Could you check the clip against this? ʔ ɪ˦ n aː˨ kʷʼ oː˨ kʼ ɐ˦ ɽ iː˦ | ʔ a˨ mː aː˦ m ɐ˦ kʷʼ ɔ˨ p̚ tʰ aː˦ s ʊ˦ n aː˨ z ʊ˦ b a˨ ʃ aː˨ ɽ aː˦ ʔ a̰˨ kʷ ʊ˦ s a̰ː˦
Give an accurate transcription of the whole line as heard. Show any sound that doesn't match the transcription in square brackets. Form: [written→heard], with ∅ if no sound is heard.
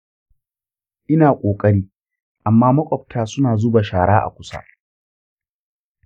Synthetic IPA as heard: ʔ ɪ˦ n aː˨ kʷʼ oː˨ kʼ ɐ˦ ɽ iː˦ | ʔ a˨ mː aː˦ m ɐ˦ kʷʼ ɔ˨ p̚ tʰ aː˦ s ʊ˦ n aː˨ z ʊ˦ b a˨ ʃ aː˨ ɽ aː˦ ʔ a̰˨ kʷ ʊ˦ s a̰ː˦